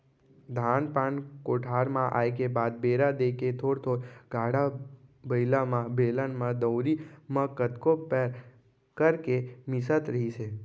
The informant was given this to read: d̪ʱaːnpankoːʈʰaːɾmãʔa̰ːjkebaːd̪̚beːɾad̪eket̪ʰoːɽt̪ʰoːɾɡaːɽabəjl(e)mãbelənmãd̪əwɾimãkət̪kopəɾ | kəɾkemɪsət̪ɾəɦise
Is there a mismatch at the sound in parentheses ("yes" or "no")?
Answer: yes